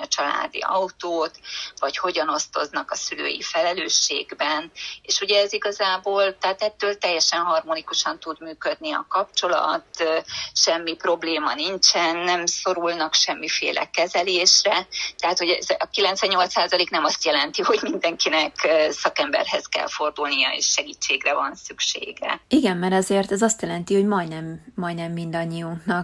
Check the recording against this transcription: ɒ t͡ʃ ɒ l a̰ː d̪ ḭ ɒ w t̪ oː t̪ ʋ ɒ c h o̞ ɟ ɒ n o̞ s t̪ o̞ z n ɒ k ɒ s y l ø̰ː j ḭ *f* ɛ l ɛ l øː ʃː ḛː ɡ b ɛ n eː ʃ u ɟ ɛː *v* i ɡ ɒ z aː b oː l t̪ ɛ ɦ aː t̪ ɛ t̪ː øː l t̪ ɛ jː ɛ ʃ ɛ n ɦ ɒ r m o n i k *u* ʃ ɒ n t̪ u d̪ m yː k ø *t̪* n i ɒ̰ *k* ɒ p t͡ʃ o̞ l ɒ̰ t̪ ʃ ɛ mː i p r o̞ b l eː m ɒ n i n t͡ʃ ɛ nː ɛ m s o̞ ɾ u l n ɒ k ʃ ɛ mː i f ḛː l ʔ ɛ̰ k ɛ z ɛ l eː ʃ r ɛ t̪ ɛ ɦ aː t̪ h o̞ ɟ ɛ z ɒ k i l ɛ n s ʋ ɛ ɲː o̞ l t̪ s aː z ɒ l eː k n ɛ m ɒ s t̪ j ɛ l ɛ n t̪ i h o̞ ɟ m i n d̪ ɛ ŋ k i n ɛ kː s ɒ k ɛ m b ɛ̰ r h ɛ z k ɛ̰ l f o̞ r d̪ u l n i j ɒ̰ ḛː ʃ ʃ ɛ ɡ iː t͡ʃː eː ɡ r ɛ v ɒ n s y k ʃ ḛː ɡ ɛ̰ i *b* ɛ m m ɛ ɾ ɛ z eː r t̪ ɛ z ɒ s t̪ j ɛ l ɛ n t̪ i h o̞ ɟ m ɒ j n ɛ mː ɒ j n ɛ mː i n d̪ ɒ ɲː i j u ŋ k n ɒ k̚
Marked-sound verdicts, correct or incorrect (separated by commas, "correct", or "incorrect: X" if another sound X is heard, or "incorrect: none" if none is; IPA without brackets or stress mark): correct, incorrect: z, correct, incorrect: d̪, correct, incorrect: ɡ